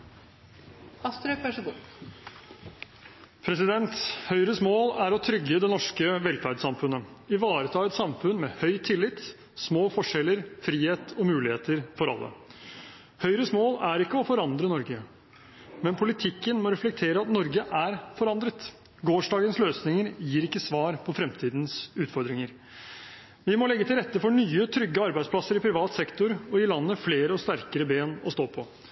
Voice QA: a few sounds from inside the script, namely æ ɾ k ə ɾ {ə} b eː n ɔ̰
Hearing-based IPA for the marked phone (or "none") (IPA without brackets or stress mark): ə